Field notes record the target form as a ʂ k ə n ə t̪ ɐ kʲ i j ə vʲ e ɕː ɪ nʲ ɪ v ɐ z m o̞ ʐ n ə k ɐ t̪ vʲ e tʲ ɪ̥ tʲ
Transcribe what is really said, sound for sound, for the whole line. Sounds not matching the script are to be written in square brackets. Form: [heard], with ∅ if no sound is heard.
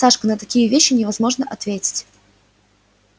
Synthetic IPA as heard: a ʂ k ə n ə t̪ ɐ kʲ i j ə vʲ e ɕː ɪ nʲ ɪ v ɐ z m o̞ ʐ n ə [ʔ] ɐ t̪ vʲ e tʲ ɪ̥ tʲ